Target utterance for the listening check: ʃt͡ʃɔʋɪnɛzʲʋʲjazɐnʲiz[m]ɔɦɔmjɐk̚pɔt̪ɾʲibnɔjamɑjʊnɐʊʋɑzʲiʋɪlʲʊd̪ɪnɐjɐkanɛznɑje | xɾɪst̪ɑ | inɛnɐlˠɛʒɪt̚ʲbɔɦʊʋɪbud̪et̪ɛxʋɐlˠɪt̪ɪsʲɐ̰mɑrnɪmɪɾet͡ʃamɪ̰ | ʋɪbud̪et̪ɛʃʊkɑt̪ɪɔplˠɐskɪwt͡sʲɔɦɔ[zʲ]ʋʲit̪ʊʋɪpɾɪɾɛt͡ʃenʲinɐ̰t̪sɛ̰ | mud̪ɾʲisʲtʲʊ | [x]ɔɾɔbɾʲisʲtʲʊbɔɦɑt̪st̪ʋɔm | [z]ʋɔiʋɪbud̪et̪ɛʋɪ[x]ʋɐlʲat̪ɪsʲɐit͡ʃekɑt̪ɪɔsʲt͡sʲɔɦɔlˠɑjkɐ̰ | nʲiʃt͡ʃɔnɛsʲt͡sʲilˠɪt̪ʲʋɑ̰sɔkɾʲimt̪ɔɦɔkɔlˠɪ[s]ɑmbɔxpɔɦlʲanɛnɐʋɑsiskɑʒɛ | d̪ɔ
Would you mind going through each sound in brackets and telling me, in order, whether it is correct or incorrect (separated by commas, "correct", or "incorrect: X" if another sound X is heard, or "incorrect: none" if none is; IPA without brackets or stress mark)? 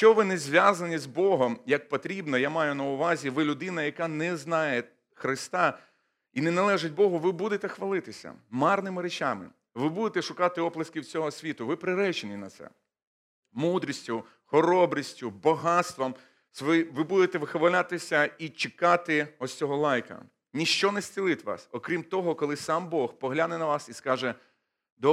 incorrect: b, incorrect: sʲ, correct, incorrect: s, correct, correct